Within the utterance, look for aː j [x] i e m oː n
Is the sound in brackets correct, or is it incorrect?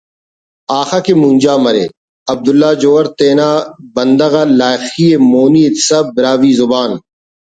correct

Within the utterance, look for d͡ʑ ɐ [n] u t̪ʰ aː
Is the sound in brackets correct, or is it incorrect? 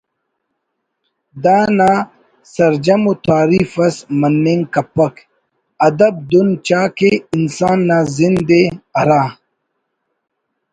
incorrect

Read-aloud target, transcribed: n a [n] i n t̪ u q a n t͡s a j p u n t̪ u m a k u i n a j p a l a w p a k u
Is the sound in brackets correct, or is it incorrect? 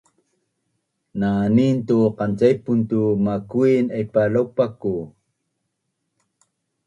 correct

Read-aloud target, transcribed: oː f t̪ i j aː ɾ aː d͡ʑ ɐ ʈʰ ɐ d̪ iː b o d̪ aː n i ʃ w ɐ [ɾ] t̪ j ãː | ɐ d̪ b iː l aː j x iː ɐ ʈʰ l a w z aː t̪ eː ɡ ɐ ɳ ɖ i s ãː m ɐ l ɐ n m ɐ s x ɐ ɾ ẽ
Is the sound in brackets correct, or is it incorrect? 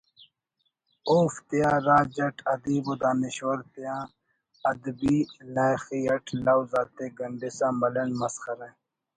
correct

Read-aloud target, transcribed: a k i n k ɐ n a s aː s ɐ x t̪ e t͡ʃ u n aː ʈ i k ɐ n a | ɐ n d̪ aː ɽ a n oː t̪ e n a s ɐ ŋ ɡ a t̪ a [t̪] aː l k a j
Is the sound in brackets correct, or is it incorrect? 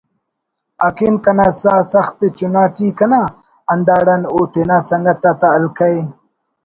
correct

